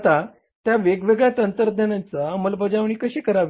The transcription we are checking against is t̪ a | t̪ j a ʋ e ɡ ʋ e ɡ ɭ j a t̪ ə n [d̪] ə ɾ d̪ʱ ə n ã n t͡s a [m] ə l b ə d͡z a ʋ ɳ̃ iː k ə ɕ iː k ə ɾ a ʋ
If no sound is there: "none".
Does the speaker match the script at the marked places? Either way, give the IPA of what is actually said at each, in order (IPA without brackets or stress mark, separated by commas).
t̪, m